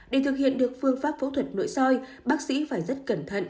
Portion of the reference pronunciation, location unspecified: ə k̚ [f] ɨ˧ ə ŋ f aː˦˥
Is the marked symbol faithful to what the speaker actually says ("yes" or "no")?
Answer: yes